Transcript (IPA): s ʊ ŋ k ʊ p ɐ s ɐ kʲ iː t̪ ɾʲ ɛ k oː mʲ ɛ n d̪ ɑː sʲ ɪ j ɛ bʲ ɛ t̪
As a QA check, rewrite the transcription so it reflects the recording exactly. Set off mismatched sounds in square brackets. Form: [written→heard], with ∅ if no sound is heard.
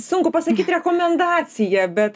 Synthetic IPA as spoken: s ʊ ŋ k ʊ p ɐ s ɐ kʲ iː t̪ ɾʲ ɛ k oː mʲ ɛ n d̪ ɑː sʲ ɪ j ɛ bʲ ɛ t̪